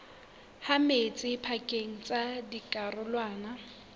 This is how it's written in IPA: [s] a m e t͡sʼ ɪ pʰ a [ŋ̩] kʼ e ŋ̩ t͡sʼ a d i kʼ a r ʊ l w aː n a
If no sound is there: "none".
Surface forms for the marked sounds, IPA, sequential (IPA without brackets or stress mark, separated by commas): h, none